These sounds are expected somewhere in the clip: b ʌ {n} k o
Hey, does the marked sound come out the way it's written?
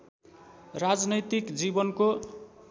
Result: yes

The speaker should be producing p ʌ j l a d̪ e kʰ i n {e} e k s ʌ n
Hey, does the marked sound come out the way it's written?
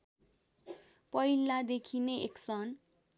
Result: yes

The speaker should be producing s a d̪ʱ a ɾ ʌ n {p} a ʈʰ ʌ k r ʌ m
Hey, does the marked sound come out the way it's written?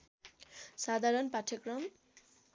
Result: yes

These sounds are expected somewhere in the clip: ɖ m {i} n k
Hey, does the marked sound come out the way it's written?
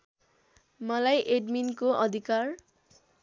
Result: yes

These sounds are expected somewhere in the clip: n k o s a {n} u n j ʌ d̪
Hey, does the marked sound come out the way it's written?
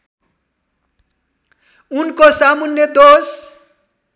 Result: no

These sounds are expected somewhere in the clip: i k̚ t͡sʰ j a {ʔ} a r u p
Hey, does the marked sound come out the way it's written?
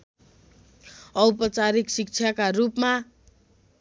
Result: no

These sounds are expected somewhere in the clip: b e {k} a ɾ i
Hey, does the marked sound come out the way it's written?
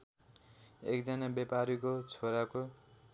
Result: no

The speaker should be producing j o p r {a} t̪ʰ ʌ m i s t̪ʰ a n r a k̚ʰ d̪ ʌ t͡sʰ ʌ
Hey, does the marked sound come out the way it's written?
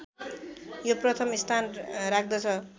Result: no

